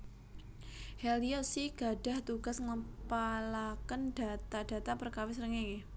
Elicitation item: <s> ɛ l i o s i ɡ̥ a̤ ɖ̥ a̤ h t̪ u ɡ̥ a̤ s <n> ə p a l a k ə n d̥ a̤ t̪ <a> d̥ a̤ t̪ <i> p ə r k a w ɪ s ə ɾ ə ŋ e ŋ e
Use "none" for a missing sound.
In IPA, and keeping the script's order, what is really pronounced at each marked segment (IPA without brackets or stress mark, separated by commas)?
h, ŋ, a, a